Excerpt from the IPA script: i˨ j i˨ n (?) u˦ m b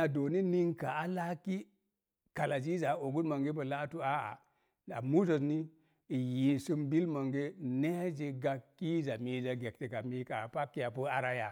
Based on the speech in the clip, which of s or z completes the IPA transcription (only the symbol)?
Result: s